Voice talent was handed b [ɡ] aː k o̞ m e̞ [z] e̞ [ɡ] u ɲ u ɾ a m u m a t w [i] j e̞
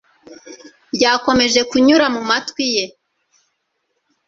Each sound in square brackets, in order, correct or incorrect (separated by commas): incorrect, incorrect, incorrect, correct